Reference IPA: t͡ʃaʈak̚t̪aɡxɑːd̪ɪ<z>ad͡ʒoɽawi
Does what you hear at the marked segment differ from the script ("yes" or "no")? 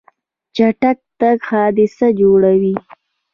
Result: yes